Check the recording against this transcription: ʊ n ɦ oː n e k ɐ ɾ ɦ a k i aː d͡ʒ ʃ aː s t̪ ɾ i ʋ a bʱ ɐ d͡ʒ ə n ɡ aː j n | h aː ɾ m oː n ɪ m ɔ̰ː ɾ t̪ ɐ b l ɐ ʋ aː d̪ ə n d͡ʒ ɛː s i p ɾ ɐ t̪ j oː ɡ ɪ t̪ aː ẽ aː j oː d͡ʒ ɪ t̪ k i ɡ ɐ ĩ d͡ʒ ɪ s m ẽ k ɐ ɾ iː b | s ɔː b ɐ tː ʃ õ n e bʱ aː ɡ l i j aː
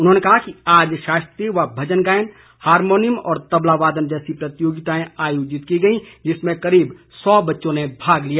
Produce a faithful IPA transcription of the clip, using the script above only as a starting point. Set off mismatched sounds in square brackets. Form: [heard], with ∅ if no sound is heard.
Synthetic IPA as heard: ʊ n ɦ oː n e k ɐ [∅] ɦ a k i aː d͡ʒ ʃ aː s t̪ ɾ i ʋ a bʱ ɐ d͡ʒ ə n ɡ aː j n | h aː ɾ m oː n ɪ m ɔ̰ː ɾ t̪ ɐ b l [a] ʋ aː d̪ ə n d͡ʒ ɛː s i p ɾ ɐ t̪ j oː ɡ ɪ t̪ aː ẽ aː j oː d͡ʒ ɪ t̪ k i ɡ ɐ ĩ d͡ʒ ɪ s m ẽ k ɐ ɾ iː b | s ɔː b ɐ tː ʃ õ n e bʱ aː ɡ l i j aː